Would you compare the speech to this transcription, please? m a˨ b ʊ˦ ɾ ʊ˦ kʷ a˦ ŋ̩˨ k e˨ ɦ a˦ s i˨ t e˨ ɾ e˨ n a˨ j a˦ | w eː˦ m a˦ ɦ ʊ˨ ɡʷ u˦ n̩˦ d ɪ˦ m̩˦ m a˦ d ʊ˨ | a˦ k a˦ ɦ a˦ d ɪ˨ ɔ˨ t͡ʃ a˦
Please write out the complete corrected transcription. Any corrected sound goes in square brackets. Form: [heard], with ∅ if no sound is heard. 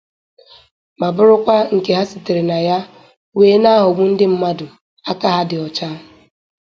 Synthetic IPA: m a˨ b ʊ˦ ɾ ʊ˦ kʷ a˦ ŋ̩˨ k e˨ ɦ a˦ s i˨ t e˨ ɾ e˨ n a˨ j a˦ | w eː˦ [n] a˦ ɦ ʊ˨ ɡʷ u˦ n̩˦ d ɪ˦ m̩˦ m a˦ d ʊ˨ | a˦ k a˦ ɦ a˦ d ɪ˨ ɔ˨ t͡ʃ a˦